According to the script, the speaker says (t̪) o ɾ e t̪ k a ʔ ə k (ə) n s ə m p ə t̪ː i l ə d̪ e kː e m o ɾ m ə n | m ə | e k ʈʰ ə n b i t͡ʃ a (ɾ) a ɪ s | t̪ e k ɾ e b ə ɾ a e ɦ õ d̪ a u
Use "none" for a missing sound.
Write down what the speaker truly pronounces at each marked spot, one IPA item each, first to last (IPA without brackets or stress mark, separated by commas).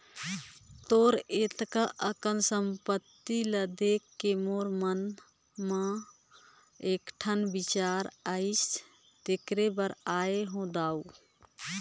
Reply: t̪, ə, ɾ